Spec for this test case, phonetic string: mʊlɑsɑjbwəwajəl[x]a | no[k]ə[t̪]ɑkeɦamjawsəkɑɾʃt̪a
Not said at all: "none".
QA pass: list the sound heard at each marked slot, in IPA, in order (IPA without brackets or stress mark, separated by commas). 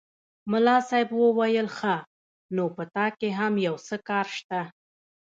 x, p, t̪